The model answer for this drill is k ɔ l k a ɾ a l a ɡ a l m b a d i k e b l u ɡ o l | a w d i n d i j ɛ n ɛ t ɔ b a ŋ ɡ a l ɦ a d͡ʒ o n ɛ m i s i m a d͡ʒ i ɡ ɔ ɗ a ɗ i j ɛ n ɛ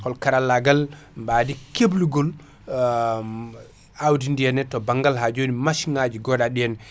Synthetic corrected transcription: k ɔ l k a ɾ a l a ɡ a l m b a d i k e b l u ɡ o l | a w d i n d i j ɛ n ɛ t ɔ b a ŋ ɡ a l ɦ a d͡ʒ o n i m a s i ŋ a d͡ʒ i ɡ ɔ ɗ a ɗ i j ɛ n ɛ